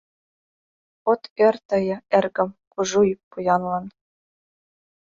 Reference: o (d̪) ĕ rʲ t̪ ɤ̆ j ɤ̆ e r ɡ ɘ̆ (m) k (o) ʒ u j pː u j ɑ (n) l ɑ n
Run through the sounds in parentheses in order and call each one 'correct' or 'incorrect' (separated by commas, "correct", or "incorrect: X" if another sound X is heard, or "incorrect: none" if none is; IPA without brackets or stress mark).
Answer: incorrect: t̪, correct, incorrect: u, correct